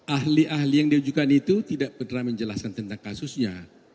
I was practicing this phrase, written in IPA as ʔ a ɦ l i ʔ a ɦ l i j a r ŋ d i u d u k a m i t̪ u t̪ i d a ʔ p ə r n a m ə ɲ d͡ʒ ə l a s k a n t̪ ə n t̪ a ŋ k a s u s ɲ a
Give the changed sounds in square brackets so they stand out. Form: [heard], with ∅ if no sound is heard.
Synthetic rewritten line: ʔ a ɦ l i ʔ a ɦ l i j a [∅] ŋ d i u [d͡ʒ] u k a [n] i t̪ u t̪ i d a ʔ p ə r n a m ə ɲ d͡ʒ ə l a s k a n t̪ ə n t̪ a ŋ k a s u s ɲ a